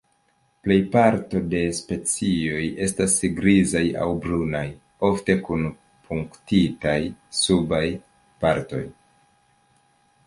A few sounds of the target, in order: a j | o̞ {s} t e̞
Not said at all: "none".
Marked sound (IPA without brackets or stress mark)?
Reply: f